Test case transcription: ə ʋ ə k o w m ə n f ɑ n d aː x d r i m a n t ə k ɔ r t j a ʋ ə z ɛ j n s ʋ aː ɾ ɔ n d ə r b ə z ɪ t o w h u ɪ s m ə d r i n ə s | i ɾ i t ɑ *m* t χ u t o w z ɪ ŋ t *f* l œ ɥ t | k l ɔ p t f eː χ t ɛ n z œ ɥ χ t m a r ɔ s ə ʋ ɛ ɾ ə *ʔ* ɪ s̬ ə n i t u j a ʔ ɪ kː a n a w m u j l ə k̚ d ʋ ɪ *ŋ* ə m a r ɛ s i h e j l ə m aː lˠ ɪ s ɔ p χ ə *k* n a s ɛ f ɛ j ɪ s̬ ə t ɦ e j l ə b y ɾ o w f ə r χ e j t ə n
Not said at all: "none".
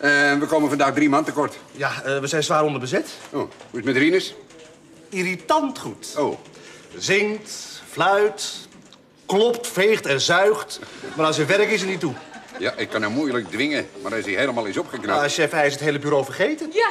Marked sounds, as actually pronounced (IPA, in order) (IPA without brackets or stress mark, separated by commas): n, f, k, ŋ, k